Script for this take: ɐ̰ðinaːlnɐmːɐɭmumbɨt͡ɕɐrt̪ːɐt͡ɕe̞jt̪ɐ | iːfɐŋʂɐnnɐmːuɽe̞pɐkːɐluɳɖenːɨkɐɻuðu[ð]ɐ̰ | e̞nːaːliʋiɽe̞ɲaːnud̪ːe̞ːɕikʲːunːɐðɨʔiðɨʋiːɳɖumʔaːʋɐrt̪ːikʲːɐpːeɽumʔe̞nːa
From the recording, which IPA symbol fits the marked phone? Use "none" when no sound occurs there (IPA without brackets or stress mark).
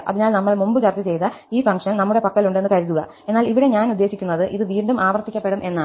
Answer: ɣ